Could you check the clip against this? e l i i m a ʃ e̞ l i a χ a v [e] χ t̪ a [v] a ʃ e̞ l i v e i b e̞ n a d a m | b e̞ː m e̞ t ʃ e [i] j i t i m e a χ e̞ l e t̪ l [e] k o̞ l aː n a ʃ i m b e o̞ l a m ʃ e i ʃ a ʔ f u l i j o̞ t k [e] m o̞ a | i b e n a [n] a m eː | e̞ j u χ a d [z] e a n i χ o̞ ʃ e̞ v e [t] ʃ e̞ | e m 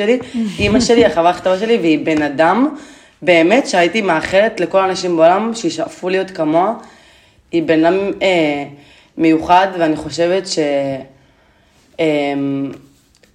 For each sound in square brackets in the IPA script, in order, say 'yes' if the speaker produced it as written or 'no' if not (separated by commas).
no, yes, no, yes, no, no, no, yes